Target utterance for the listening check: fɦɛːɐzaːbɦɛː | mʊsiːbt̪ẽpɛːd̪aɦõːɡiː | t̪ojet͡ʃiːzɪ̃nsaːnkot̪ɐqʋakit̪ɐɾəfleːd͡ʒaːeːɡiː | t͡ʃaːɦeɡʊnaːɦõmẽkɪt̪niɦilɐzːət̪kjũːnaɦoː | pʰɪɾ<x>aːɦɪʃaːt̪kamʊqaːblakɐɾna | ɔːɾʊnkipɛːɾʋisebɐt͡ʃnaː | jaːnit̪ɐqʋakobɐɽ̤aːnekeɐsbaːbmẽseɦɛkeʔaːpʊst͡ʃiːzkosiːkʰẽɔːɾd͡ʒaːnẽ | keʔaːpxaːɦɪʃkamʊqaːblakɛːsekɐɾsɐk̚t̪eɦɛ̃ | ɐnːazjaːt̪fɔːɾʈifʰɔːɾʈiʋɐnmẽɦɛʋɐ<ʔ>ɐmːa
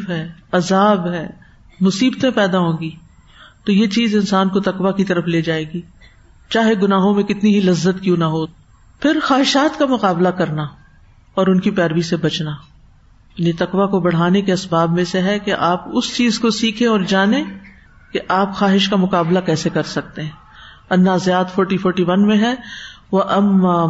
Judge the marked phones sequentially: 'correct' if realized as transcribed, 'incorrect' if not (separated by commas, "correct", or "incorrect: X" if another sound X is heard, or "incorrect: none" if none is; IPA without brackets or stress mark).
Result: correct, correct